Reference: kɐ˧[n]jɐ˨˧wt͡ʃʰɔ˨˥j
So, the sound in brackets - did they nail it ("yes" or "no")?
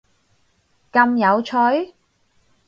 no